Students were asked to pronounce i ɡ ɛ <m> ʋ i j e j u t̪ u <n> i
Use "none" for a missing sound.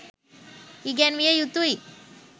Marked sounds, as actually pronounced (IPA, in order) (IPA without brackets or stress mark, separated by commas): n, none